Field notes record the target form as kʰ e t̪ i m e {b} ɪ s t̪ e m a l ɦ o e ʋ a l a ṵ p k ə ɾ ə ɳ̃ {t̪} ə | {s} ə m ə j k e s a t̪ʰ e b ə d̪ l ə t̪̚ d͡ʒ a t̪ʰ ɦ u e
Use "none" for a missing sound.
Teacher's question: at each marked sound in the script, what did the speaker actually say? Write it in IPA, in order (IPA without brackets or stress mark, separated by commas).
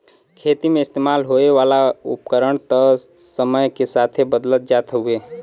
none, t̪, s